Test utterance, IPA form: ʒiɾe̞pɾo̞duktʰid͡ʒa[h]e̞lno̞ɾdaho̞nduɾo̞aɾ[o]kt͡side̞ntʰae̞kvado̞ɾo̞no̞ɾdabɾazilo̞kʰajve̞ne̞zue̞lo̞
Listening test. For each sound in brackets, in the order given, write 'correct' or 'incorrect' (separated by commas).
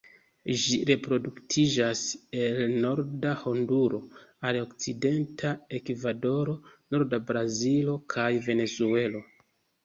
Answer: incorrect, correct